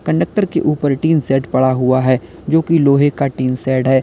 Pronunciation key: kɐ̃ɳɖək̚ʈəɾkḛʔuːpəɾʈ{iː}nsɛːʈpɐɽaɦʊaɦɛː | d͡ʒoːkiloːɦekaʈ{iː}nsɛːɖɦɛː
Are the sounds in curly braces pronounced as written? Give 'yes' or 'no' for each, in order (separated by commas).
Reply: yes, yes